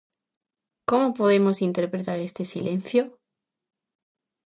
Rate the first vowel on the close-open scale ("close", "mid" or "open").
mid